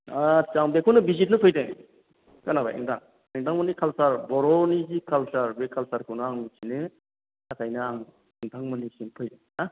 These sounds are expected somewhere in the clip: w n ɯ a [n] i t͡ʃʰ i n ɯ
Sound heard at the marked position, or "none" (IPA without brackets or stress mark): ŋ